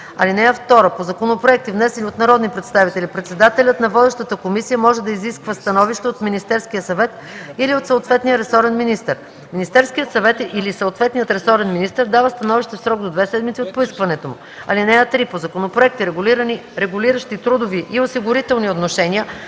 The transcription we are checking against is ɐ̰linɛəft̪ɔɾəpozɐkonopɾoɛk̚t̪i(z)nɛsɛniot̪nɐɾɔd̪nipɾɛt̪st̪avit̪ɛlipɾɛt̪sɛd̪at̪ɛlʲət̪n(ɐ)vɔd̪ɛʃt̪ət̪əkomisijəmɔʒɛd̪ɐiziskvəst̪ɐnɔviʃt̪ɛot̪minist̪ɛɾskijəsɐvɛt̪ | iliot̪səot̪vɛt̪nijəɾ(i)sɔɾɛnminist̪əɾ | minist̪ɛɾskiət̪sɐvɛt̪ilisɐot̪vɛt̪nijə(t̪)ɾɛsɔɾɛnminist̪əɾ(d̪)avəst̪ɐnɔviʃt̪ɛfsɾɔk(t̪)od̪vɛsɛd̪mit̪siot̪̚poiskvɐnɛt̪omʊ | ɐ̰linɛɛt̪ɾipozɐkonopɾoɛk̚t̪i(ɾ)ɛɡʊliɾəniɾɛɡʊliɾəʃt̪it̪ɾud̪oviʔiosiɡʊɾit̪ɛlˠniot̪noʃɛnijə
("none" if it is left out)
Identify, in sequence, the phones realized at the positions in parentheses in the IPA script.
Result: v, ɐ, ɛ, t̪, d̪, d̪, ɾ

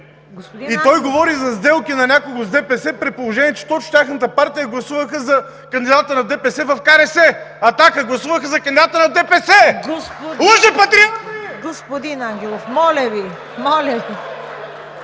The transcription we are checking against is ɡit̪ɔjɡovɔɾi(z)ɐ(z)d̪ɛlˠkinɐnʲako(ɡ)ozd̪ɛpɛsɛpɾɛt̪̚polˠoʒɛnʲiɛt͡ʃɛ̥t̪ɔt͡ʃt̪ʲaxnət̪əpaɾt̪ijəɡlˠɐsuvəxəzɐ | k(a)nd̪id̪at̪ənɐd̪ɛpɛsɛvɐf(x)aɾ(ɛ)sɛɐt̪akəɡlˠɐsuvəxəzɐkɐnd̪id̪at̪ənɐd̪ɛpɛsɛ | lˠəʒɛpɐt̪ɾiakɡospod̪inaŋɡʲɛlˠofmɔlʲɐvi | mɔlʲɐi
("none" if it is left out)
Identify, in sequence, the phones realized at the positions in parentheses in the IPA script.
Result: z, z, ɡ, ɐ, k, ɛ

